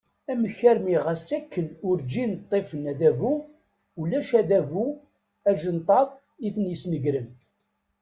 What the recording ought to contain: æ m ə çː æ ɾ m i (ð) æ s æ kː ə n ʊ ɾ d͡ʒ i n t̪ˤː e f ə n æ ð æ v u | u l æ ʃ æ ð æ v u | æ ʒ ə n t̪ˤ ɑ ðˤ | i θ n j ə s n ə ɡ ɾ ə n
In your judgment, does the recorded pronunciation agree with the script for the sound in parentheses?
no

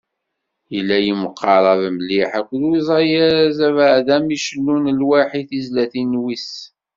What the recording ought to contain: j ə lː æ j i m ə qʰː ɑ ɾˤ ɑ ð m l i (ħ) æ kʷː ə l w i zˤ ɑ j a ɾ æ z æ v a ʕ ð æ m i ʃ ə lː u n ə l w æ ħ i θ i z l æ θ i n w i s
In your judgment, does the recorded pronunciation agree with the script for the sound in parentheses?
yes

